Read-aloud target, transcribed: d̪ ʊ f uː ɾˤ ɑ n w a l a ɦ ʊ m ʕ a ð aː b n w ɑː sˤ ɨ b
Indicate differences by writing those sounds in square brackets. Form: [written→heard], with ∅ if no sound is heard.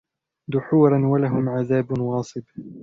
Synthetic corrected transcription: d̪ ʊ [f→ħ] uː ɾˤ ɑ n w a l a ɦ ʊ m ʕ a ð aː b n w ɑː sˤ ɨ b